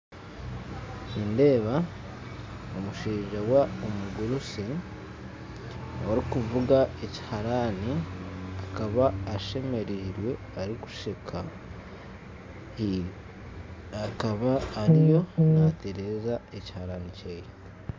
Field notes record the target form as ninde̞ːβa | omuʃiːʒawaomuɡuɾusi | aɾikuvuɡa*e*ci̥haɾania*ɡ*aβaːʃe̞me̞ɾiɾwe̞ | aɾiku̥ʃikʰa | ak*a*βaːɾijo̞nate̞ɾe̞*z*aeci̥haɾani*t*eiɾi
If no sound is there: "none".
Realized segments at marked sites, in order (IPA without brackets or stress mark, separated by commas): e, k, a, z, c